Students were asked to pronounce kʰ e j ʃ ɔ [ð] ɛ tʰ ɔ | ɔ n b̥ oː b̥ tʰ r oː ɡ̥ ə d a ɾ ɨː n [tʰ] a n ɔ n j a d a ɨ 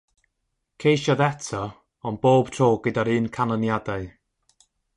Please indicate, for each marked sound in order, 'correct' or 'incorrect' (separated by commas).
correct, incorrect